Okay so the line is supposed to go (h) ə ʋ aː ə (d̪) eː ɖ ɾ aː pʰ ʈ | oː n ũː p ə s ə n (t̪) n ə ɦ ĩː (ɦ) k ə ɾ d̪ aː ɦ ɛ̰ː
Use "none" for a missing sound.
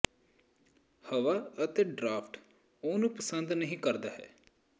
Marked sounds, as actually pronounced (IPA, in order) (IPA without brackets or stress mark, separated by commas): h, t̪, d̪, none